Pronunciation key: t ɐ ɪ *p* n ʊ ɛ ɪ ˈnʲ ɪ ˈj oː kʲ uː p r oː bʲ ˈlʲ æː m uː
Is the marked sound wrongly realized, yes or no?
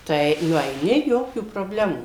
yes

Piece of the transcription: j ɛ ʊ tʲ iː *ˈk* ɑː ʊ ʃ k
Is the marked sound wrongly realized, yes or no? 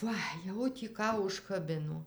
no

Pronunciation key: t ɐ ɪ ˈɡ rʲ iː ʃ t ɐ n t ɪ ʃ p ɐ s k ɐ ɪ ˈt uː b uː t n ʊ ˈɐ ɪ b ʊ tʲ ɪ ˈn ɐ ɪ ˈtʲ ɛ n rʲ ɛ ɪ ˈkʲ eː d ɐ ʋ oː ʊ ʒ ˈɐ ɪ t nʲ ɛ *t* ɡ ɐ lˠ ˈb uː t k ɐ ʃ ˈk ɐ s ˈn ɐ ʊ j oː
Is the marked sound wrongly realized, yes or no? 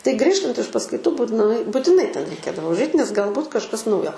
yes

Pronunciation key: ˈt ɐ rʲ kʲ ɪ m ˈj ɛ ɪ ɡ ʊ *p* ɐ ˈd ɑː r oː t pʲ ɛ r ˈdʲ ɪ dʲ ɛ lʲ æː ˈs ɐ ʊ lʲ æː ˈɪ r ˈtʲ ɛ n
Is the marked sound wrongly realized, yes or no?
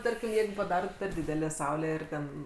no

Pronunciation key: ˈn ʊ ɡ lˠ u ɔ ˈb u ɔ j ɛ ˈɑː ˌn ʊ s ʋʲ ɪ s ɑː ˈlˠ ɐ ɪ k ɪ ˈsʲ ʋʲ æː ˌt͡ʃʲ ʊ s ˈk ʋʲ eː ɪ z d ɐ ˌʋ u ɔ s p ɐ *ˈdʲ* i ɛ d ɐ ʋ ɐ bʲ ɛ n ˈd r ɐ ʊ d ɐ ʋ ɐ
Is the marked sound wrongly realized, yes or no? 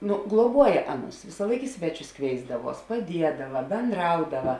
no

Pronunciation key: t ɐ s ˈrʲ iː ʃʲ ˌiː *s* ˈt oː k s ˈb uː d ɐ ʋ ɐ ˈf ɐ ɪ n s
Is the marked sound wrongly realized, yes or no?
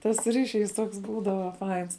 no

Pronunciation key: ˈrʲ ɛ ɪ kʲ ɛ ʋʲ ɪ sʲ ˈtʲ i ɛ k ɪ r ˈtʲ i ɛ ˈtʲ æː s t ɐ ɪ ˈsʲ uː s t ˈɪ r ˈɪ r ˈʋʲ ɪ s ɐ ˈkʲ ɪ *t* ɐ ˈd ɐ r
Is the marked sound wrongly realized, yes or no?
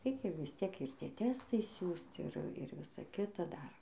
no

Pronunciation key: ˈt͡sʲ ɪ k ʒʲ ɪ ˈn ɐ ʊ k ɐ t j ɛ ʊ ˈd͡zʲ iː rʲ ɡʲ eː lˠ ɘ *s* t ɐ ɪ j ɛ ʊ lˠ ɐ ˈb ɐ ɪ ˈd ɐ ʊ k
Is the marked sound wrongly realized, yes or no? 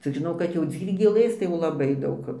no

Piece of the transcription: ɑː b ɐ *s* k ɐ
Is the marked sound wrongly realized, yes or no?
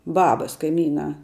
no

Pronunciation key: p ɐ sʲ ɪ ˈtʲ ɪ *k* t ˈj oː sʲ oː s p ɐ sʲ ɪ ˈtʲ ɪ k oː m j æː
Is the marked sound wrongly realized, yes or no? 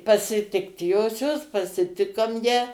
no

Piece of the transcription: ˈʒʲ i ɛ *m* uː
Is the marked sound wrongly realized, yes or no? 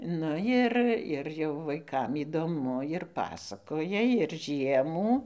no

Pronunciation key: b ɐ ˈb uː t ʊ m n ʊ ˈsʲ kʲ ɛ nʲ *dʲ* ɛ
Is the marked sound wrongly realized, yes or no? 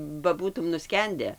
no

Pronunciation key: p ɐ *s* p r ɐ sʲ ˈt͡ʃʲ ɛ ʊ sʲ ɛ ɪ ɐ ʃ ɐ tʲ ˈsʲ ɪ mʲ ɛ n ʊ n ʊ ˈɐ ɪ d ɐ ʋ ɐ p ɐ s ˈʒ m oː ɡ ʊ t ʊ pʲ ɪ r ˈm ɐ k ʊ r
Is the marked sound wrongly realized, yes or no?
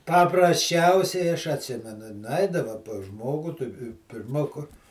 yes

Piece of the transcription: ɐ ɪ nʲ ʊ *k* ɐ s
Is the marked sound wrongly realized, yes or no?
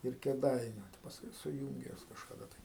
yes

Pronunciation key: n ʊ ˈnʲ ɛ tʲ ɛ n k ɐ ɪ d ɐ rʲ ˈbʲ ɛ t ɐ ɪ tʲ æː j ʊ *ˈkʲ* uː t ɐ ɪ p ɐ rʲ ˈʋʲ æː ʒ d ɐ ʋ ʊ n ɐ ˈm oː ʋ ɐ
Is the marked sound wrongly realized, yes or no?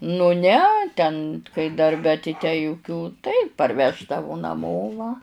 no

